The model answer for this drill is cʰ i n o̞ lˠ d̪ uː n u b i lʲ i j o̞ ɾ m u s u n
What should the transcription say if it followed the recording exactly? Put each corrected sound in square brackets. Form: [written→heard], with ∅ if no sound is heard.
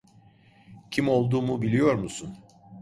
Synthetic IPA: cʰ i [n→m] o̞ lˠ d̪ uː [n→m] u b i lʲ i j o̞ ɾ m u s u n